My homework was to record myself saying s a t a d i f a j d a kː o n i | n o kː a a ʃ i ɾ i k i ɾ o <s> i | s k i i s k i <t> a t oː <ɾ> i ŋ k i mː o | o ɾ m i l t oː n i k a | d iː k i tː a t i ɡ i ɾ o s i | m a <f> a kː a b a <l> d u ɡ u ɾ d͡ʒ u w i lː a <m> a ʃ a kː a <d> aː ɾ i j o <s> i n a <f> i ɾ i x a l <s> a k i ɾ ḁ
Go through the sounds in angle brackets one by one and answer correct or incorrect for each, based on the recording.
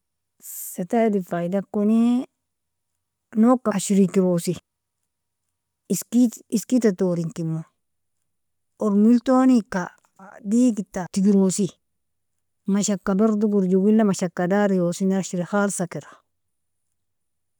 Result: correct, correct, correct, incorrect: ʃ, incorrect: ɾ, correct, correct, correct, incorrect: ʃ, correct

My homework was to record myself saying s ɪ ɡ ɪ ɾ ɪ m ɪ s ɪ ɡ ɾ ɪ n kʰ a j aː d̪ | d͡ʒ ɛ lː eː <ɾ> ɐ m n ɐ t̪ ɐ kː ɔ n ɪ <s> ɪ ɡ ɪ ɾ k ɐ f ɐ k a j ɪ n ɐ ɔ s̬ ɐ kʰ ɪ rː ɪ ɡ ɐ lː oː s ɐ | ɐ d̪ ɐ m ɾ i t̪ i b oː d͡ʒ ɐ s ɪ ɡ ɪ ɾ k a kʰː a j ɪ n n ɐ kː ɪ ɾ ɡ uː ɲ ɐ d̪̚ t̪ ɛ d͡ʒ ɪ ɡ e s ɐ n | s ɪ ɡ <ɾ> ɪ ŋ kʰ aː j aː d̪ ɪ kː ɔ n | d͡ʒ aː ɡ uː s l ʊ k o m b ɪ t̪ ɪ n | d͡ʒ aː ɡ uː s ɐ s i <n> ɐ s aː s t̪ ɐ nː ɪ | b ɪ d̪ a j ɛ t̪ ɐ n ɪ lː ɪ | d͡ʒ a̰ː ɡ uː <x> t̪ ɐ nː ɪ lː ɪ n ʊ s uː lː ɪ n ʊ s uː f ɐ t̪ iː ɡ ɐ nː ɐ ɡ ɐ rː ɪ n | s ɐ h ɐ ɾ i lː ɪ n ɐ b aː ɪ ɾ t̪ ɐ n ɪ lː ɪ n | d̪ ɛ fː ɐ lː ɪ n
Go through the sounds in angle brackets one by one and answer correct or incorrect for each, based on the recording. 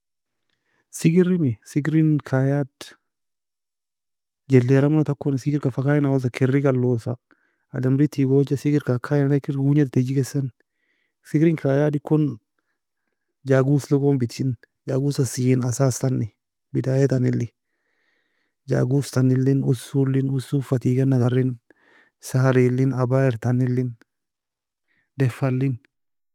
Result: correct, correct, correct, correct, incorrect: s

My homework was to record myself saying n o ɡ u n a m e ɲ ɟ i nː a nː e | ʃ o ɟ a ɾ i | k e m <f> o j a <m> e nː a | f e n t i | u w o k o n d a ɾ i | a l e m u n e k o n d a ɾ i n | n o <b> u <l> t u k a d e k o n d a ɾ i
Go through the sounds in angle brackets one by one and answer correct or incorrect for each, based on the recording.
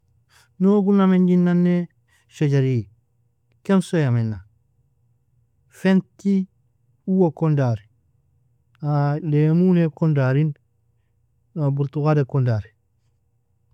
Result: incorrect: s, correct, correct, incorrect: ɾ

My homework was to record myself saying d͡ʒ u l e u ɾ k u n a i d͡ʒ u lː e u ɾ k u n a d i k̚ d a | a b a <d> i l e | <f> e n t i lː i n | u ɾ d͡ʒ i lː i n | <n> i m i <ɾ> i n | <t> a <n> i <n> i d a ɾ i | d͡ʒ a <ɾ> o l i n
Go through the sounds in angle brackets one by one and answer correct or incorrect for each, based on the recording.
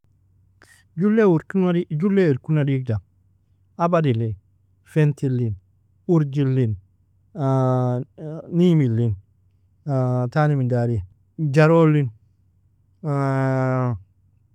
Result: correct, correct, correct, incorrect: l, correct, correct, incorrect: m, correct

